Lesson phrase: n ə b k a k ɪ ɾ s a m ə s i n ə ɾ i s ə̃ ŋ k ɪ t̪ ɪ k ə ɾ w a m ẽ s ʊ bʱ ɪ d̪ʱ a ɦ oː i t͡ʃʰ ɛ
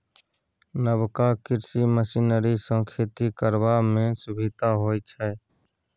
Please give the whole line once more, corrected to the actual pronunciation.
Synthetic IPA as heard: n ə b k a k ɪ ɾ s i m ə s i n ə ɾ i s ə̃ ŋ kʰ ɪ t̪ i k ə ɾ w a m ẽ s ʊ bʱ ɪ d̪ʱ a ɦ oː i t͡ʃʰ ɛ

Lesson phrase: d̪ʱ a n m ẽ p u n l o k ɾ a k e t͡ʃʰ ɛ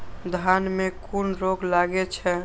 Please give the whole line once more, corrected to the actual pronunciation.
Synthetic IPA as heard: d̪ʱ a n m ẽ k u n ɾ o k l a ɡ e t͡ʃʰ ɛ

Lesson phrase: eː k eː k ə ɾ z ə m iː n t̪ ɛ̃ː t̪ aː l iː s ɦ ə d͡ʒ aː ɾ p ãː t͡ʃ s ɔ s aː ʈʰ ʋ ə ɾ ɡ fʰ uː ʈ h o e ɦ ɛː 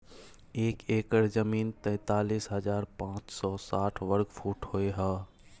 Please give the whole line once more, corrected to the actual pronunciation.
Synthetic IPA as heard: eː k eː k ə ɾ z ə m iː n t̪ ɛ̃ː t̪ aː l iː s ɦ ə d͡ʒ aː ɾ p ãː t͡ʃ s ɔ s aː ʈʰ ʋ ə ɾ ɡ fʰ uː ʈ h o e ɦ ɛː

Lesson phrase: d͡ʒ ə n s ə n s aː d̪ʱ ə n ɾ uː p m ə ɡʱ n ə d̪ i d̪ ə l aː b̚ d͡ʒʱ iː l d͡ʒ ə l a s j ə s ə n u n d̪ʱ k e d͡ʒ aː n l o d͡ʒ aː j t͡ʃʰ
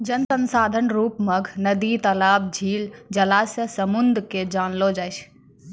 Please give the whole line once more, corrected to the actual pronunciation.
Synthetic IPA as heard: d͡ʒ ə n s ə n s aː d̪ʱ ə n ɾ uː p m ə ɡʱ n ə d̪ i t̪ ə l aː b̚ d͡ʒʱ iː l d͡ʒ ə l a s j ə s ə m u n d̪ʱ k e d͡ʒ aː n l o d͡ʒ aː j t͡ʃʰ

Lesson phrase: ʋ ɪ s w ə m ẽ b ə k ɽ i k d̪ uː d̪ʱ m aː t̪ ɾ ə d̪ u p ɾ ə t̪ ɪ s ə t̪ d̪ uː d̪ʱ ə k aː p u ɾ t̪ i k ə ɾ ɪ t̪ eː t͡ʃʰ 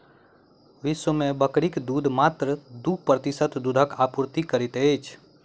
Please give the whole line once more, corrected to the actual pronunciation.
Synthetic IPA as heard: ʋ ɪ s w ə m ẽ b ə k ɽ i k d̪ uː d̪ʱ m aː t̪ ɾ ə d̪ u p ɾ ə t̪ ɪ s ə t̪ d̪ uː d̪ʱ ə k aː p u ɾ t̪ i k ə ɾ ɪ t̪ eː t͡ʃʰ

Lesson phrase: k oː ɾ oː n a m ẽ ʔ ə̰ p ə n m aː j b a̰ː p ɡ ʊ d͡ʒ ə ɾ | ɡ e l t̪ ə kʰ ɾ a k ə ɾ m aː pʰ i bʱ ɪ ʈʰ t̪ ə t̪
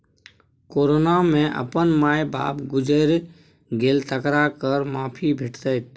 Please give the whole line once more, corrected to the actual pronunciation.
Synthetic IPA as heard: k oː ɾ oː n a m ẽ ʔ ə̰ p ə n m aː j b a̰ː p ɡ ʊ d͡ʒ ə ɾ | ɡ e l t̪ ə k ɾ a k ə ɾ m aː pʰ i bʱ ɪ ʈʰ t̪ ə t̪

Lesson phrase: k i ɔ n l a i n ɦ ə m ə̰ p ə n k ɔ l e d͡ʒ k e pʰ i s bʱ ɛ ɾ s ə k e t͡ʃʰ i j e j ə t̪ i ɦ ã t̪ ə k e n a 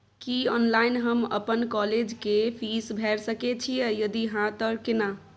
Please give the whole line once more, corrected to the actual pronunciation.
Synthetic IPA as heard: k i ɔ n l a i n ɦ ə m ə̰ p ə n k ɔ l e d͡ʒ k e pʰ i s bʱ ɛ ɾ s ə k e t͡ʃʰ i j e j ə d̪ i ɦ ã t̪ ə k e n a

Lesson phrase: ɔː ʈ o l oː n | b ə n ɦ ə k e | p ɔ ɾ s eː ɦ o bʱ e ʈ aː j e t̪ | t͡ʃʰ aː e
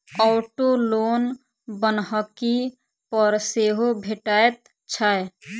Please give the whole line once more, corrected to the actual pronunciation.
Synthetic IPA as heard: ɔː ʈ o l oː n | b ə n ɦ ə k i | p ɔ ɾ s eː ɦ o bʱ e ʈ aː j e t̪ | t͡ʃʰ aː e

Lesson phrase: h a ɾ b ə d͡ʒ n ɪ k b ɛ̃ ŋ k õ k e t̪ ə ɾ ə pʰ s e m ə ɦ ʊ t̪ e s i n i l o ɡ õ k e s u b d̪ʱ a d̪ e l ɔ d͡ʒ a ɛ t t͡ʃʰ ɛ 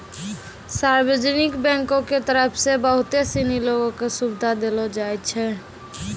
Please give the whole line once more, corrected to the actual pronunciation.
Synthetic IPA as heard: s a ɾ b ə d͡ʒ n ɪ k b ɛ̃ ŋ k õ k e t̪ ə ɾ ə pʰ s e b ə ɦ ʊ t̪ e s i n i l o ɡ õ k e s u b d̪ʱ a d̪ e l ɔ d͡ʒ a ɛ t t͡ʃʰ ɛ

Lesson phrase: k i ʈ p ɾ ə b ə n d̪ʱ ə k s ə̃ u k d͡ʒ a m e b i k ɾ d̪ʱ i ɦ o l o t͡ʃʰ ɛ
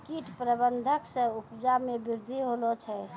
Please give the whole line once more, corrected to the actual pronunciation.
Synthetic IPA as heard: k i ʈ p ɾ ə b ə n d̪ʱ ə k s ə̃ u p d͡ʒ a m e b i ɾ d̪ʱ i ɦ o l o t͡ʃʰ ɛ

